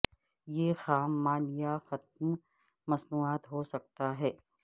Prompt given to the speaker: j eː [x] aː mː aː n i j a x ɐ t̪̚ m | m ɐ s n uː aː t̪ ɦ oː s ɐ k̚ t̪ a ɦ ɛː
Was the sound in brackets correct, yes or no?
yes